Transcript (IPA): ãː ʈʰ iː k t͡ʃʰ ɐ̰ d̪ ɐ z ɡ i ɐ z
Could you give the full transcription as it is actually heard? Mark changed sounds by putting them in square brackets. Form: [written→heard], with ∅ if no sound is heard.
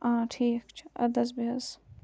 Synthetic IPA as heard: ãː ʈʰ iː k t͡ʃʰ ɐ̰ d̪ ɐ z [ɡ→b] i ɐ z